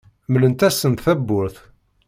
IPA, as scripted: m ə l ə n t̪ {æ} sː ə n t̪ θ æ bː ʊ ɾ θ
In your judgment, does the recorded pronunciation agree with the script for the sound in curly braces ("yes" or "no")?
yes